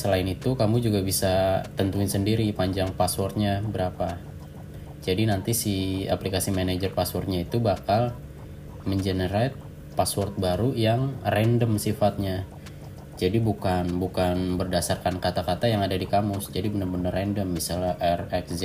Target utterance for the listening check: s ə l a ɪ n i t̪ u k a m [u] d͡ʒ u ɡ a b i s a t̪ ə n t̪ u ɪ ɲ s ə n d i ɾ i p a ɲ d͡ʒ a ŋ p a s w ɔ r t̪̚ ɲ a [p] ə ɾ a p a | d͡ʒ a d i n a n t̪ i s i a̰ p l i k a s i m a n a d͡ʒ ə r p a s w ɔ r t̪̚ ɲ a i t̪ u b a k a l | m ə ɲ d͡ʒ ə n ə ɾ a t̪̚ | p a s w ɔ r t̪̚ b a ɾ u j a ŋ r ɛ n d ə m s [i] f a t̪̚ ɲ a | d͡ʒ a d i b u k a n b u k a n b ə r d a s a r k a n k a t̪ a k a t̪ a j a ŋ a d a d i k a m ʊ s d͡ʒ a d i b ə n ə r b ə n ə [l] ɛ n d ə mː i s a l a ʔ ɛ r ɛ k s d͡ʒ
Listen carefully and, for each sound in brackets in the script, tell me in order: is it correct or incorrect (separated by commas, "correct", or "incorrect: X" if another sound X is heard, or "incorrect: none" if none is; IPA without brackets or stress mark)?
correct, incorrect: b, correct, incorrect: r